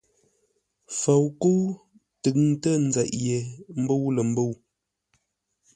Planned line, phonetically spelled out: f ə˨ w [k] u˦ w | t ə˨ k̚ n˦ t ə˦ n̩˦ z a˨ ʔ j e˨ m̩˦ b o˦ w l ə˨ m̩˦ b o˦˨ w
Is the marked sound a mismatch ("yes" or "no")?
no